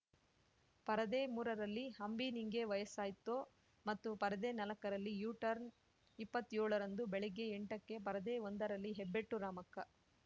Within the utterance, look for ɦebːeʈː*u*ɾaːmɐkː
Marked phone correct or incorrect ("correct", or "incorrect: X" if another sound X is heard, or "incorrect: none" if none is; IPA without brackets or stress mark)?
correct